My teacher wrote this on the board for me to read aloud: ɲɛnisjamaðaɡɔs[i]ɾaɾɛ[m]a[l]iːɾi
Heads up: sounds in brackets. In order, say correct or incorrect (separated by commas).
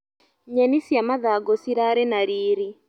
correct, incorrect, incorrect